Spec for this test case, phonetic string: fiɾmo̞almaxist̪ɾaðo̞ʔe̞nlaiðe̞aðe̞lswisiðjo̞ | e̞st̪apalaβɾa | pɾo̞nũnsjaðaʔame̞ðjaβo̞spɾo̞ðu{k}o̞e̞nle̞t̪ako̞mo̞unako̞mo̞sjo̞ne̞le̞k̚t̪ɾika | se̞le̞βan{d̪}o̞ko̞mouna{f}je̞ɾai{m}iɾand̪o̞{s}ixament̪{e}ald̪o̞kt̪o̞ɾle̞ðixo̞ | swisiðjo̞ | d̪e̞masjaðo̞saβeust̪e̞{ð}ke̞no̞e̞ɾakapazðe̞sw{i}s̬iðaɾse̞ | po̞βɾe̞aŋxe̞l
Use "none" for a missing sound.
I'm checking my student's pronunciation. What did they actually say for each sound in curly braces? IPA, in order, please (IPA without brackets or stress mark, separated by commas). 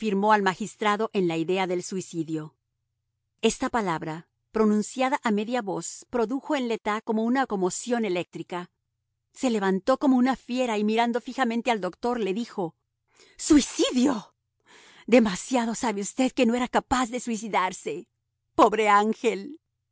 x, t̪, f, m, f, e, ð, i